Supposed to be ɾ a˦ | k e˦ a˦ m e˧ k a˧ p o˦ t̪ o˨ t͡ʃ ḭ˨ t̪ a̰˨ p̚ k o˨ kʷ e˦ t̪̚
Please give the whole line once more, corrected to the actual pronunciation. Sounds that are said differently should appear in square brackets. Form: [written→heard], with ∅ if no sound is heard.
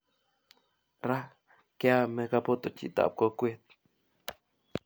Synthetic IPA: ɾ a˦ | k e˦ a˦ m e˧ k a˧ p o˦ t̪ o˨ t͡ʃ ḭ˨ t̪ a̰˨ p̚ k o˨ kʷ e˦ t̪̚